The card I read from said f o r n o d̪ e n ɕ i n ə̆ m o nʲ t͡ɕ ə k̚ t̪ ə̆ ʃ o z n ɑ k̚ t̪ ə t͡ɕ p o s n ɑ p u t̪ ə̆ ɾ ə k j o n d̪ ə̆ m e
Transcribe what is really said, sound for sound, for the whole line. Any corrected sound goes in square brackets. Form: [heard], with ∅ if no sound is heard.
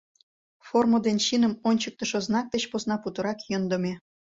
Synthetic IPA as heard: f o r [m] o d̪ e n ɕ i n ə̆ m o nʲ t͡ɕ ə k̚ t̪ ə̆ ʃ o z n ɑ k̚ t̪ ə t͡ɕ p o s n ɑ p u t̪ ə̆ ɾ [ɑ] k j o n d̪ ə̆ m e